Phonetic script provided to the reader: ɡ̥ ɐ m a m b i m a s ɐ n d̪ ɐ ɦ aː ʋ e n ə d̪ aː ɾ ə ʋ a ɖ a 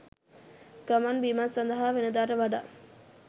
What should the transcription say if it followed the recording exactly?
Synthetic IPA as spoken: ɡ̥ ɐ m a n b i m a s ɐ n d̪ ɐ ɦ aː ʋ e n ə d̪ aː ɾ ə ʋ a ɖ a